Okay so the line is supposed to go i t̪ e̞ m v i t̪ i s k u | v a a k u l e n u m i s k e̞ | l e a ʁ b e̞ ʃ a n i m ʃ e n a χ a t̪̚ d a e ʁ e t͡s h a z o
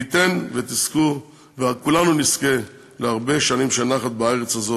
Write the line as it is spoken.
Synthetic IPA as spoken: i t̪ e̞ n v e t̪ i s k u | v e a k u l a n u n i s k e̞ | l e a ʁ b e̞ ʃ a n i m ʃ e n a χ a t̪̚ b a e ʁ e t͡s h a z o